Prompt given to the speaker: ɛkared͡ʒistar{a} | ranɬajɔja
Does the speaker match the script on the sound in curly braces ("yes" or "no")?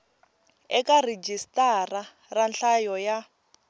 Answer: yes